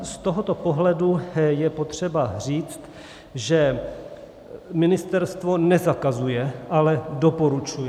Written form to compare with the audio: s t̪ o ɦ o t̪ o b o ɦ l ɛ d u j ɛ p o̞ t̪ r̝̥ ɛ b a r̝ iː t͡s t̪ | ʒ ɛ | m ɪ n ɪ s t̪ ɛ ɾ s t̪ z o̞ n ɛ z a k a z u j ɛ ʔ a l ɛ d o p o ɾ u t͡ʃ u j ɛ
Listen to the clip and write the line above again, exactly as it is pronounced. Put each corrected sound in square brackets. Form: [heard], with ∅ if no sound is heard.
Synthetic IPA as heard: s t̪ o ɦ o t̪ o [p] o ɦ l ɛ d u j ɛ p o̞ t̪ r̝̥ ɛ b a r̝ iː t͡s t̪ | ʒ ɛ | m ɪ n ɪ s t̪ ɛ ɾ s t̪ [v] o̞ n ɛ z a k a z u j ɛ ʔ a l ɛ d o p o ɾ u t͡ʃ u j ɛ